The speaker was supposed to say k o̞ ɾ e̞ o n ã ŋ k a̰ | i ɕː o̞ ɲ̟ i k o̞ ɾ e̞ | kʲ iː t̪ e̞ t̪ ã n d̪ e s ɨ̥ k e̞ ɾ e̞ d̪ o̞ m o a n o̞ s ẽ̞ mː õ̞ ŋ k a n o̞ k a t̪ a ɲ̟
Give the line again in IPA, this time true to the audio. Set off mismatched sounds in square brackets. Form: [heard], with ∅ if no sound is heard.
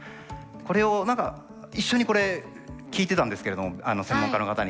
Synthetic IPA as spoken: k o̞ ɾ e̞ o n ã ŋ k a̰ | i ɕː o̞ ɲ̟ i k o̞ ɾ e̞ | kʲ iː t̪ e̞ t̪ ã n d̪ e s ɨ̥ k e̞ ɾ e̞ d̪ o̞ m o a n o̞ s ẽ̞ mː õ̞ ŋ k a n o̞ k a t̪ a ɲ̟